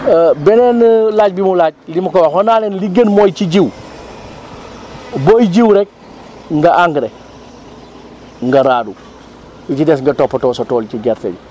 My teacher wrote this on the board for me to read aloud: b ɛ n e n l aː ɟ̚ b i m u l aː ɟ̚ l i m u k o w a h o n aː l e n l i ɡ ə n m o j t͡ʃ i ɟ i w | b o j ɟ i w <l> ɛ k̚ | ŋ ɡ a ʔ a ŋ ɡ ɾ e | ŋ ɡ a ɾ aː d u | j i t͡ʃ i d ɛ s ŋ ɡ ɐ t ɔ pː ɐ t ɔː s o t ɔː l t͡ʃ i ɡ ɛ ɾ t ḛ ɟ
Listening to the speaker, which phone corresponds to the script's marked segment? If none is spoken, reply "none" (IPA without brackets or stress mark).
ɾ